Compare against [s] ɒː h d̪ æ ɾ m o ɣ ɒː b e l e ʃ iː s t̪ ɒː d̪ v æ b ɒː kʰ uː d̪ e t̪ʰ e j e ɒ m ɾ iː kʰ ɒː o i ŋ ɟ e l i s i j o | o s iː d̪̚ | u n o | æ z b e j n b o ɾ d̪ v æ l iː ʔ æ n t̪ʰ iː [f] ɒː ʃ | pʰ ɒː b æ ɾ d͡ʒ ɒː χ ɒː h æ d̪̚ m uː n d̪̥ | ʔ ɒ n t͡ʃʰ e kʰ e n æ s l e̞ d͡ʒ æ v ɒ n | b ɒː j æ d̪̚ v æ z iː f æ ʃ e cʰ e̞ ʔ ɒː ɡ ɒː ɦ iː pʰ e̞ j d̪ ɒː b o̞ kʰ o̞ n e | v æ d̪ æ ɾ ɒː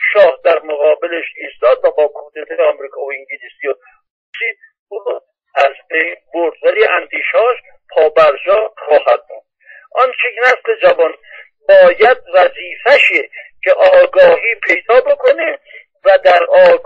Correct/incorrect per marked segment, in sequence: incorrect: ʃ, incorrect: ʃ

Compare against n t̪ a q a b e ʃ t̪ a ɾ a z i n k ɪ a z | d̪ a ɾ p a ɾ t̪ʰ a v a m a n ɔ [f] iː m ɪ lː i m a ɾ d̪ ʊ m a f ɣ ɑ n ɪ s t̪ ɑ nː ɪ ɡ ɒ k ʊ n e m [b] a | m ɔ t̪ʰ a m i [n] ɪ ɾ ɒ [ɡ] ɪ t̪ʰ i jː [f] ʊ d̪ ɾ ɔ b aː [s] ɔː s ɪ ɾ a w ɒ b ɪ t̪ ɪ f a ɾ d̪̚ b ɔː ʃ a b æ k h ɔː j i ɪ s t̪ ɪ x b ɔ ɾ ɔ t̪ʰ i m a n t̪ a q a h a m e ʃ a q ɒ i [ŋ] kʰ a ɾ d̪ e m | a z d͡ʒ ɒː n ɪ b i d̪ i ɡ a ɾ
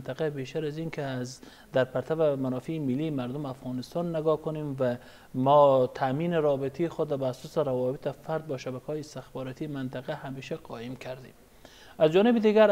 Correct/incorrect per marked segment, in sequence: correct, incorrect: v, correct, incorrect: b, incorrect: x, correct, incorrect: m

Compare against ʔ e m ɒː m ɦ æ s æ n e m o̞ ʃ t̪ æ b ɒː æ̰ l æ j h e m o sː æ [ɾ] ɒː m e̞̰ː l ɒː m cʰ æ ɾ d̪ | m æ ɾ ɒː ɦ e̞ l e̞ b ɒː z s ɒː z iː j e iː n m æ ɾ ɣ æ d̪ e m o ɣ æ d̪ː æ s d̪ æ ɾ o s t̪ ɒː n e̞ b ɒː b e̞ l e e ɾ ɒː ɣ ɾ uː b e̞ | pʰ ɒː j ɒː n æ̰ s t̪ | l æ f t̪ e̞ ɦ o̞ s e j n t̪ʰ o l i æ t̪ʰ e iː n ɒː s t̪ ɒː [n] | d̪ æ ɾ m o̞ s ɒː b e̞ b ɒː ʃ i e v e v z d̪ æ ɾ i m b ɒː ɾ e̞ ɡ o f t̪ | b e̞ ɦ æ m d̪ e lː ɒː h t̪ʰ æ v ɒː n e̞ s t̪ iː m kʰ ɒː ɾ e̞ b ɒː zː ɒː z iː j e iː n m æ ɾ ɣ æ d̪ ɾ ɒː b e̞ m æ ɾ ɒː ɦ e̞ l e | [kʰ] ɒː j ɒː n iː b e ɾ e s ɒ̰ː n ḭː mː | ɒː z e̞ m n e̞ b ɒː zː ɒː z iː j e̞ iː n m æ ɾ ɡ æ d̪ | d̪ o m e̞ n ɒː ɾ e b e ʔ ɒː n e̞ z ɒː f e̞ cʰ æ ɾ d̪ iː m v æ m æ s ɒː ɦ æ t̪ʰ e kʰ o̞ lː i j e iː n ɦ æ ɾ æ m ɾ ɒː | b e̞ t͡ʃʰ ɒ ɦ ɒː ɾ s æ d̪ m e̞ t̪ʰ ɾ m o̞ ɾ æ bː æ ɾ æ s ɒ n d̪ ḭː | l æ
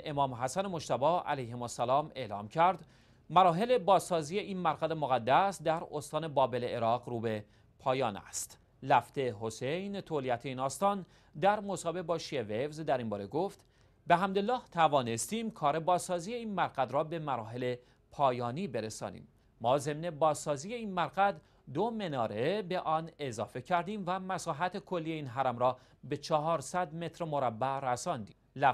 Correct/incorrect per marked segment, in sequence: incorrect: l, correct, incorrect: pʰ

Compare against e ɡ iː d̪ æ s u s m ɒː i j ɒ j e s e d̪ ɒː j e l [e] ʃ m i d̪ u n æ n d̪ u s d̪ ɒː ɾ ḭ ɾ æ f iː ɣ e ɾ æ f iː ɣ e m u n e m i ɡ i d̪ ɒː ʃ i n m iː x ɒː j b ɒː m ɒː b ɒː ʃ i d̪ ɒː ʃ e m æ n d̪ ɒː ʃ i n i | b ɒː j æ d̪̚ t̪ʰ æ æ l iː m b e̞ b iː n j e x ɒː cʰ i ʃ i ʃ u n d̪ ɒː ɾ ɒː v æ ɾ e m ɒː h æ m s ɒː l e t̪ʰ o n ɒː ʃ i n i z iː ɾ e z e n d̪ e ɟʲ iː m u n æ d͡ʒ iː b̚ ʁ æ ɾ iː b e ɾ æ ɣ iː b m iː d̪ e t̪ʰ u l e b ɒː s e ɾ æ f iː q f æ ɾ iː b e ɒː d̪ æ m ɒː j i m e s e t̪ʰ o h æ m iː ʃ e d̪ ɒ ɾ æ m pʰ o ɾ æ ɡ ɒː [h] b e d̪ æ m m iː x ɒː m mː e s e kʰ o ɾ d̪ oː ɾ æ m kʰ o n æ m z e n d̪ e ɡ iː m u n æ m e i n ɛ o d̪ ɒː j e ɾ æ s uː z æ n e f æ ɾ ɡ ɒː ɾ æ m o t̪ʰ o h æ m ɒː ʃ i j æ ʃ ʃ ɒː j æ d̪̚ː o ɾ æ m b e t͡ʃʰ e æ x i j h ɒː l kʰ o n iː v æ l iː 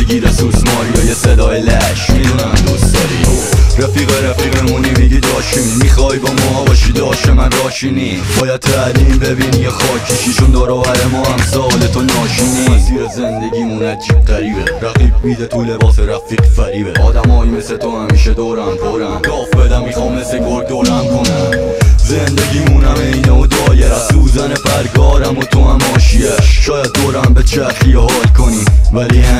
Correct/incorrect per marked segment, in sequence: incorrect: æ, incorrect: f

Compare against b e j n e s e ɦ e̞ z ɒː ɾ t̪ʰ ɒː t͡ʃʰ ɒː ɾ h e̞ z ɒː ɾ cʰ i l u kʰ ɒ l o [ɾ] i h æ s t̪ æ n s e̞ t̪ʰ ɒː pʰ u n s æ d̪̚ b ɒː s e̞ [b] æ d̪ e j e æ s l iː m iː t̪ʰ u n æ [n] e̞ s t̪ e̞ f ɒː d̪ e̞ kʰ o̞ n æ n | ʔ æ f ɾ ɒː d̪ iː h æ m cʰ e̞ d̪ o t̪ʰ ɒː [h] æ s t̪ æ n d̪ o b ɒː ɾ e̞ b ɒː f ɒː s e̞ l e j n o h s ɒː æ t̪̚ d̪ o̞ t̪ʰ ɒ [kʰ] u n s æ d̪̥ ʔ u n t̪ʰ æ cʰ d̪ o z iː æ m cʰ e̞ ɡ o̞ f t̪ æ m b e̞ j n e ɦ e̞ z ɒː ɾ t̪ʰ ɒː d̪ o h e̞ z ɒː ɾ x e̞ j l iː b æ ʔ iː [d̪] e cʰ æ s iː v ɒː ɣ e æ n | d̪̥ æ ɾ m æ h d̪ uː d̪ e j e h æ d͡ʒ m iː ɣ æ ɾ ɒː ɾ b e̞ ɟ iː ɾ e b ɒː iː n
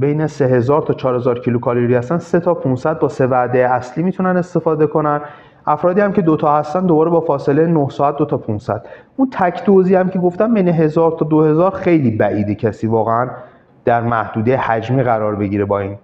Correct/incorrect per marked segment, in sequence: correct, incorrect: v, correct, correct, incorrect: pʰ, correct

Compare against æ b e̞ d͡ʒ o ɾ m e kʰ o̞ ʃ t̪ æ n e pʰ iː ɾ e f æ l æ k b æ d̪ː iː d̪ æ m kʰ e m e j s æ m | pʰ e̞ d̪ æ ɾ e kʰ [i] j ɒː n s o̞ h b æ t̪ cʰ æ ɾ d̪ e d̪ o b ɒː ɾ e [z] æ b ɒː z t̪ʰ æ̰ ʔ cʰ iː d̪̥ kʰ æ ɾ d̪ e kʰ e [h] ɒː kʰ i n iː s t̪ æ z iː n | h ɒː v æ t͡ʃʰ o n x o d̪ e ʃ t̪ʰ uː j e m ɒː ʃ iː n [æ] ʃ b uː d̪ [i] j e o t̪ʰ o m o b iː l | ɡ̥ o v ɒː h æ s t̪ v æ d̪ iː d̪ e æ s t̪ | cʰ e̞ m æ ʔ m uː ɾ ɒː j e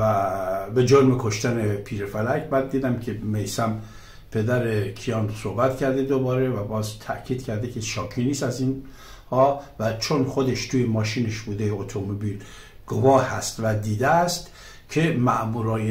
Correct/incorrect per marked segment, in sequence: correct, incorrect: v, incorrect: ʃ, incorrect: e, incorrect: e

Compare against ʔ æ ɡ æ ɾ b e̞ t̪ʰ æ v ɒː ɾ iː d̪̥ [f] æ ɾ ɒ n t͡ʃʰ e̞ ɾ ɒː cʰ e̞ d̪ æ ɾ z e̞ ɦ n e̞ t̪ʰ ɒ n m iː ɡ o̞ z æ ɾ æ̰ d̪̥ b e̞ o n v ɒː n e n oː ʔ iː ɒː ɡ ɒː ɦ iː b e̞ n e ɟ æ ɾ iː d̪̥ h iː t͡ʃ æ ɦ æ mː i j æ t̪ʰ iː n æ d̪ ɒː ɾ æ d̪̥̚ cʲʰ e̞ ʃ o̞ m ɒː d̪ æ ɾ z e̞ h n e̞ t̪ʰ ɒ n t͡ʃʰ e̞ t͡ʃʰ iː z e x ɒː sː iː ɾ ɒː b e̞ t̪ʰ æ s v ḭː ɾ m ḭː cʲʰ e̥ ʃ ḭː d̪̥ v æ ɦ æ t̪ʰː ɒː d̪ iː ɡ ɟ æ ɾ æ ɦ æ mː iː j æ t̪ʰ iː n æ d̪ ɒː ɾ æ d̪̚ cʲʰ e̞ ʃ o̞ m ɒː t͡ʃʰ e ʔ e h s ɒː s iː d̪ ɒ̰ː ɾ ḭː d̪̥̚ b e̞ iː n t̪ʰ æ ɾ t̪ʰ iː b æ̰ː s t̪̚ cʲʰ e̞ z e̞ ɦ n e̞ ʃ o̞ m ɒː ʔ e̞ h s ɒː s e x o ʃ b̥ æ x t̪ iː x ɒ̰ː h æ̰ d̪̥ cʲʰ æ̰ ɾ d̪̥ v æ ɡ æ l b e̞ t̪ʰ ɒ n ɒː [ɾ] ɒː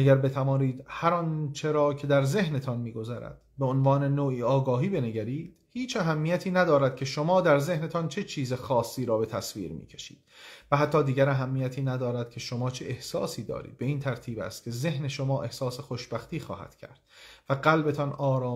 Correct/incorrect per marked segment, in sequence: incorrect: h, correct

